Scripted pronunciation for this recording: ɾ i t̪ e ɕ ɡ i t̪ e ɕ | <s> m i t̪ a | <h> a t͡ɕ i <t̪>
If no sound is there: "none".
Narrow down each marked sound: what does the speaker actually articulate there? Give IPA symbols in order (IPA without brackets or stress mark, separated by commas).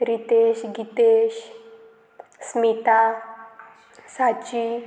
s, s, none